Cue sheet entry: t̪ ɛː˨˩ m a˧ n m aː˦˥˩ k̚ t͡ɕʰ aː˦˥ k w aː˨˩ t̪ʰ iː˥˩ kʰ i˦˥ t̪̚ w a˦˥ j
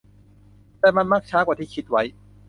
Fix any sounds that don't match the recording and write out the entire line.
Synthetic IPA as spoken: t̪ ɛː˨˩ m a˧ n m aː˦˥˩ k̚ t͡ɕʰ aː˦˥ k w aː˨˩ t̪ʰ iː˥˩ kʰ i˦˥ t̪̚ w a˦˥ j